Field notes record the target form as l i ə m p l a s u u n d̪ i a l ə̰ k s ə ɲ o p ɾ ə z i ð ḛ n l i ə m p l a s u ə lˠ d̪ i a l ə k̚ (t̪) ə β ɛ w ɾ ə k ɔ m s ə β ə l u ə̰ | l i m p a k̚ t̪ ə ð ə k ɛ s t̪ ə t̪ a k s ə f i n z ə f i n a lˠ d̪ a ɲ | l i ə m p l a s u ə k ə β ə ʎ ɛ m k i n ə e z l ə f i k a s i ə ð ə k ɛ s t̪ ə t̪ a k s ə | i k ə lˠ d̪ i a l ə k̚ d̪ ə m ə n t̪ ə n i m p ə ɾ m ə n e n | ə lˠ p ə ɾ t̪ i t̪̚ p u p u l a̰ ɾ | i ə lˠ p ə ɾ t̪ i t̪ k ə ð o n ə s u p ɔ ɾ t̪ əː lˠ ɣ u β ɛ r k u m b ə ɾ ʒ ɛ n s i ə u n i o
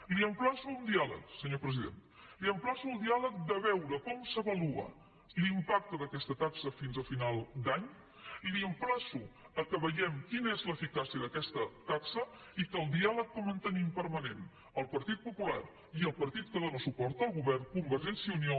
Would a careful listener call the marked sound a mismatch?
yes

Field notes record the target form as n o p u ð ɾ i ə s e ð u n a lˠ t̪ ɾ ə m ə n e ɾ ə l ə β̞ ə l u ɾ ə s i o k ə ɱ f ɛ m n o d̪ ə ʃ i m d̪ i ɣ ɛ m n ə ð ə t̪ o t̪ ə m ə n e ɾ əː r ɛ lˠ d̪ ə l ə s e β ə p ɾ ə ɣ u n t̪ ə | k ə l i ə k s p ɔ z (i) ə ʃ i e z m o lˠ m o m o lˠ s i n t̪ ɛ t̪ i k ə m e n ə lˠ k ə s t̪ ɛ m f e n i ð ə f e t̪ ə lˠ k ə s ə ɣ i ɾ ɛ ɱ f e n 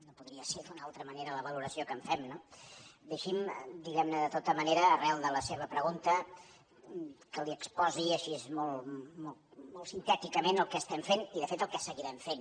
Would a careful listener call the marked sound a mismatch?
no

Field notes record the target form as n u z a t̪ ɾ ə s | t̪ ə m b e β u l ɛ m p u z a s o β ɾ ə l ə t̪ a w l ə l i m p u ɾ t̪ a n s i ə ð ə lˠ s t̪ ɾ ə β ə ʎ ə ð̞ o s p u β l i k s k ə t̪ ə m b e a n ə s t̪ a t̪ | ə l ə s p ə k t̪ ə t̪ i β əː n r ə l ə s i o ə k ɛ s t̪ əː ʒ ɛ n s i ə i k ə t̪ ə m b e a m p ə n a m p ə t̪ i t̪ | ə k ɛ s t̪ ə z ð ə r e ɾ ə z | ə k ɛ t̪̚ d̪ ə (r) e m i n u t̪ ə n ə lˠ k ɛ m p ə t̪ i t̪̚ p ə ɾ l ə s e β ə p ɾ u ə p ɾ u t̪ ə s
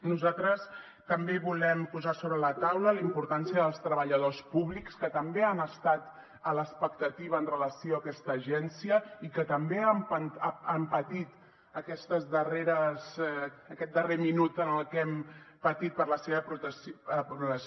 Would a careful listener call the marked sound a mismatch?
no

